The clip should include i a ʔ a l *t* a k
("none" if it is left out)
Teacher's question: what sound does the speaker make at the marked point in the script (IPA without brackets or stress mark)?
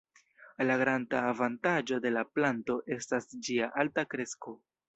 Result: t